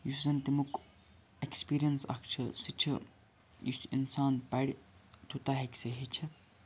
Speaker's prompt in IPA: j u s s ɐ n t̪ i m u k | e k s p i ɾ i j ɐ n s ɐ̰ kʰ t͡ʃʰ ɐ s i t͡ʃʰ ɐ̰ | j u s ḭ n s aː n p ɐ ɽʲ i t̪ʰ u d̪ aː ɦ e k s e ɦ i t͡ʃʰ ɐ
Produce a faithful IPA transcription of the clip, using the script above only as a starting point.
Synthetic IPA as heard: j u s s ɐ n t̪ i m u k | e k s p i ɾ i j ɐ n s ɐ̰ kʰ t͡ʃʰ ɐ s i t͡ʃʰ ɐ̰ | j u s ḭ n s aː n p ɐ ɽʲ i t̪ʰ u t̪ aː ɦ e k s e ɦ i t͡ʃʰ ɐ